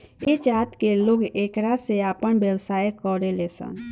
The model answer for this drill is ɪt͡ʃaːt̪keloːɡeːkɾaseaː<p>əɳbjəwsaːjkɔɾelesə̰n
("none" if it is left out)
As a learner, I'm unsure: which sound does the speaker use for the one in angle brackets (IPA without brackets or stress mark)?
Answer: p